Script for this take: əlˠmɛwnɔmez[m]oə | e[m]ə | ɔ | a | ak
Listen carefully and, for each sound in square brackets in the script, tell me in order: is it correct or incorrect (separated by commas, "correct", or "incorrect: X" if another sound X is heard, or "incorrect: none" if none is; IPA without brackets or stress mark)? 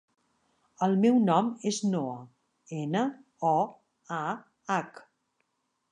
incorrect: n, incorrect: n